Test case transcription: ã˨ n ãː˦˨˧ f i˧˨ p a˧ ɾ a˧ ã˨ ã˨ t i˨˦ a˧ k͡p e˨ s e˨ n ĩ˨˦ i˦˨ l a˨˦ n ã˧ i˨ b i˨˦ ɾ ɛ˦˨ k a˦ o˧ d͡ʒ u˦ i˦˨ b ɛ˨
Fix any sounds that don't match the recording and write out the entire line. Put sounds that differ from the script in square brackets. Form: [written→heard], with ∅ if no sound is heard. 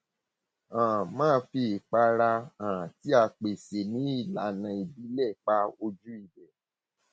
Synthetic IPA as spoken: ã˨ [n→m] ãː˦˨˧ f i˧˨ [p→k͡p] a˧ ɾ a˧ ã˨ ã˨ t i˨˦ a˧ k͡p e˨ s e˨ n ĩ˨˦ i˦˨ l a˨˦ n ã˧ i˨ b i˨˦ [ɾ→l] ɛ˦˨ [k→k͡p] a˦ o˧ d͡ʒ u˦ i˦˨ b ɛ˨